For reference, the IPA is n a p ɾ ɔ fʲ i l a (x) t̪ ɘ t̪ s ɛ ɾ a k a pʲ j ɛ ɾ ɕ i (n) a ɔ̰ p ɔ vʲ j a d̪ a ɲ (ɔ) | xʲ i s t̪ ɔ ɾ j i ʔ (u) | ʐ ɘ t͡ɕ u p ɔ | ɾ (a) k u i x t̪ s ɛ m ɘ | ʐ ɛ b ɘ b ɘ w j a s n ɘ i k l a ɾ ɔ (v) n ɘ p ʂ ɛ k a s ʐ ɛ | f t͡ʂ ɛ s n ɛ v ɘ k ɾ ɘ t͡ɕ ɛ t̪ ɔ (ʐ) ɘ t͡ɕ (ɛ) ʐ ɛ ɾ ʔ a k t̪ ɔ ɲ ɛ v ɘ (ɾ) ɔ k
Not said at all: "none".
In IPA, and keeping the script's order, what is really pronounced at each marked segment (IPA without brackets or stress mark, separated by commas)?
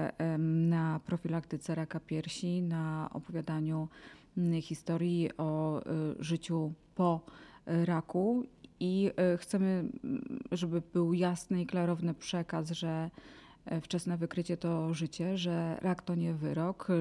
k, n, u, ɔ, a, v, ʐ, ɛ, ɾ